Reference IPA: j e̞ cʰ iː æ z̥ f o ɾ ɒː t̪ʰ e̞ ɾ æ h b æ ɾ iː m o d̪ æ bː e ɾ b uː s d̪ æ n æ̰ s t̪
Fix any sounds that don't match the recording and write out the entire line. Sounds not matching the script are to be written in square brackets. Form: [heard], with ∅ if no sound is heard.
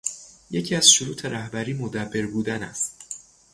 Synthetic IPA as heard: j e̞ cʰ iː æ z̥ [ʃ] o ɾ [uː] t̪ʰ e̞ ɾ æ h b æ ɾ iː m o d̪ æ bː e ɾ b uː [∅] d̪ æ n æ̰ s t̪